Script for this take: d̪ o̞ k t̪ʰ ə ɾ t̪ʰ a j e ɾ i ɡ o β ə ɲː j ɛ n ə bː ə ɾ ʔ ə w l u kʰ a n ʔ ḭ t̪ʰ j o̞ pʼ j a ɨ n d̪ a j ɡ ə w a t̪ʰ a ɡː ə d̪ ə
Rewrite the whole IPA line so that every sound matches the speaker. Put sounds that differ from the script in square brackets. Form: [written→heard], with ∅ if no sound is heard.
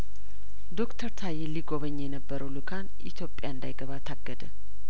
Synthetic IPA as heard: d̪ o̞ k t̪ʰ ə ɾ t̪ʰ a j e [ɾ→l] i ɡ o β ə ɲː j ɛ n ə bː ə ɾ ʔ ə w l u kʰ a n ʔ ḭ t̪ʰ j o̞ pʼ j a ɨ n d̪ a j ɡ ə [w→β] a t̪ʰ a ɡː ə d̪ ə